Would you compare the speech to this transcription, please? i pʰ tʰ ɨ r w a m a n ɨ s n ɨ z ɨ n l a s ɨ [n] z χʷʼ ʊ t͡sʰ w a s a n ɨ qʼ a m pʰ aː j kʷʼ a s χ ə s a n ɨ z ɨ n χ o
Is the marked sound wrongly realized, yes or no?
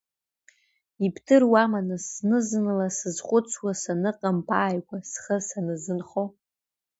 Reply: yes